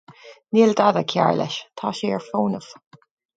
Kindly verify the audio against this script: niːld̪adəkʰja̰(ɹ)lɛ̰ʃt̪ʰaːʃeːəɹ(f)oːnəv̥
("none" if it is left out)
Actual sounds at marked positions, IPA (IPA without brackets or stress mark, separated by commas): ɹ, f